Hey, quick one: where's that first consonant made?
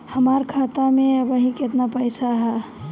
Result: throat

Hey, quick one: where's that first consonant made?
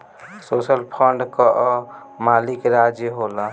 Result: tongue tip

